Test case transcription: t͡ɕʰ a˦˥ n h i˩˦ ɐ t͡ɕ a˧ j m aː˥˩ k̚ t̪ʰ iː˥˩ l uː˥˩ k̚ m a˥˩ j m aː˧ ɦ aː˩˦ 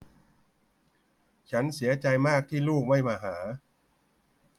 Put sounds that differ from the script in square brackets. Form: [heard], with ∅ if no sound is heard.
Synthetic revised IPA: t͡ɕʰ a˦˥ n [s] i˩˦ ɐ t͡ɕ a˧ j m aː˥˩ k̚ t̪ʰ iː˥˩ l uː˥˩ k̚ m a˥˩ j m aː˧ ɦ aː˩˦